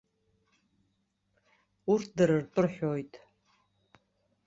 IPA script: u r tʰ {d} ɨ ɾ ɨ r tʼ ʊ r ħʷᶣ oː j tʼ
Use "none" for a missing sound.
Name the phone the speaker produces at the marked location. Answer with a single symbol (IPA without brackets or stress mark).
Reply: d